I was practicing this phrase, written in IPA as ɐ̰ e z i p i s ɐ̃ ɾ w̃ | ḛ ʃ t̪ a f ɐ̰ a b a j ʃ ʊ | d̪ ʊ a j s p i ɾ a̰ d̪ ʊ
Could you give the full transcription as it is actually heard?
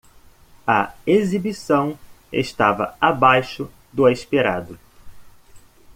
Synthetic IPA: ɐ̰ e z i b i s ɐ̃ w̃ | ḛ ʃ t̪ a v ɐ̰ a b a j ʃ ʊ | d̪ ʊ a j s p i ɾ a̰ d̪ ʊ